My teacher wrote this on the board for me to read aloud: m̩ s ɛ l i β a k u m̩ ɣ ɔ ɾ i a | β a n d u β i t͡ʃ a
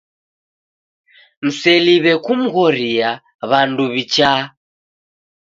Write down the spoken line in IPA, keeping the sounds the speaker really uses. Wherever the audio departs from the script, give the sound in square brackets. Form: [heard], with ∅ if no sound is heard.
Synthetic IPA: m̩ s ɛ l i β [ɛ] k u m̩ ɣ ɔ ɾ i a | β a n d u β i t͡ʃ a